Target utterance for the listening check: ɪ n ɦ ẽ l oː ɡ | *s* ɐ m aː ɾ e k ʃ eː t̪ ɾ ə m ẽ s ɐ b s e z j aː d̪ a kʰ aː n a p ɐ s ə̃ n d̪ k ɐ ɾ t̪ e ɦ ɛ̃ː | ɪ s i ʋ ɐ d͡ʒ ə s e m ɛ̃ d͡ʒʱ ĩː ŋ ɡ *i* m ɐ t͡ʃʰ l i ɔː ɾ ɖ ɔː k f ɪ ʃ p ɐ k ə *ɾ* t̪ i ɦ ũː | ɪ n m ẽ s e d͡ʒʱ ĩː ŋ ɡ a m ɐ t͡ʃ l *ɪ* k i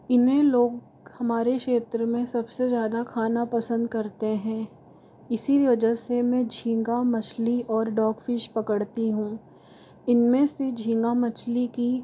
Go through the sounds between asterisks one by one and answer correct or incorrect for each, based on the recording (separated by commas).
incorrect, incorrect, incorrect, incorrect